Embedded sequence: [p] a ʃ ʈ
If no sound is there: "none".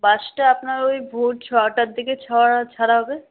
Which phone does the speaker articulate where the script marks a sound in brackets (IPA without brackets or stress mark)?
b